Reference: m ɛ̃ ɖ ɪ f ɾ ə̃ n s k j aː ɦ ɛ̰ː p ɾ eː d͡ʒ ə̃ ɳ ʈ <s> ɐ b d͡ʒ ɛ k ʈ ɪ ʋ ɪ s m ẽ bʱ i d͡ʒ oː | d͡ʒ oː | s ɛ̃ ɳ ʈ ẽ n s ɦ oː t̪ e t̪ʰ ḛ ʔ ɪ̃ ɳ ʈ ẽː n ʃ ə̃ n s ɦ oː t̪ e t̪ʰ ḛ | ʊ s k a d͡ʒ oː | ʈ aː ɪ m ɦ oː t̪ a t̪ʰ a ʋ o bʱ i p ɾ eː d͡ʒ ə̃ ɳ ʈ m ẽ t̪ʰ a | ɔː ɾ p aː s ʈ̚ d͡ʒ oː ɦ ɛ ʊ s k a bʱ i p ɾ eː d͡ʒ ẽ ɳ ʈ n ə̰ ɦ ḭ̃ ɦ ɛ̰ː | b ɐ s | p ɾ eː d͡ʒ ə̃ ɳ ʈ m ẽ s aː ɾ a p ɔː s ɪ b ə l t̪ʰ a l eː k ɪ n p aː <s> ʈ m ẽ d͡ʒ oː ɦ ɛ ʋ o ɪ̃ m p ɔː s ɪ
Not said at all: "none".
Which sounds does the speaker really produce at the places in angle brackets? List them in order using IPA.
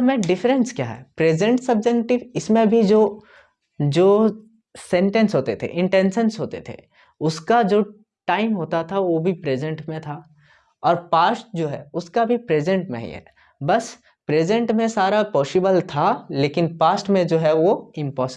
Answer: s, s

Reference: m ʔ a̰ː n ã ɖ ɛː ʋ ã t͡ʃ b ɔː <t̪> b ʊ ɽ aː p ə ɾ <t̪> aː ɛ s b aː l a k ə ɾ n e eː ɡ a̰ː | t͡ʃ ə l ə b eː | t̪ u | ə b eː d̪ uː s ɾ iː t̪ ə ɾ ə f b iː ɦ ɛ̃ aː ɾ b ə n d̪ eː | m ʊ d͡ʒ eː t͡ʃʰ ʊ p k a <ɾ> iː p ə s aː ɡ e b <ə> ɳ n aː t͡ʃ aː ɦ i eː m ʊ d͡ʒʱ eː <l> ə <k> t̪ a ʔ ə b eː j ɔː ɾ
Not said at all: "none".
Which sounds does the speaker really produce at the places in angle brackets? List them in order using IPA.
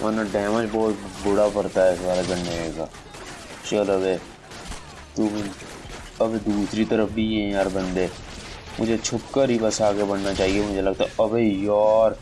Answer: t̪, t̪, ɾ, ə, l, ɡ

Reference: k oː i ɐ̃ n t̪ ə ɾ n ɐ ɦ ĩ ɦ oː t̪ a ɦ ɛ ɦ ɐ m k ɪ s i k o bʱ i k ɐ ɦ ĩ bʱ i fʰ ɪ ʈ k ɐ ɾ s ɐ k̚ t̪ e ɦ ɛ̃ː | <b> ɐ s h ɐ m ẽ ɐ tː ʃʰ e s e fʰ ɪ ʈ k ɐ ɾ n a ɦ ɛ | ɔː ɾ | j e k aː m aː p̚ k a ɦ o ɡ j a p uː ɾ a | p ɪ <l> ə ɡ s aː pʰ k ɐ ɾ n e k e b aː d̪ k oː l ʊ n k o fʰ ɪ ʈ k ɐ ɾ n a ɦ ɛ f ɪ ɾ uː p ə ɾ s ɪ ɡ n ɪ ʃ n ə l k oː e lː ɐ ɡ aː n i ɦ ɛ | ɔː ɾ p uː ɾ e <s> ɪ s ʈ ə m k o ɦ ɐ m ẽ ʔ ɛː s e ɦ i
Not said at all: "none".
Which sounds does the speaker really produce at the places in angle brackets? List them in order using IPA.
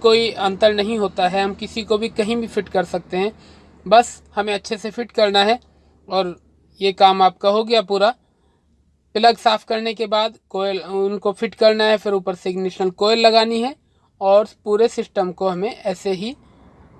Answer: b, l, s

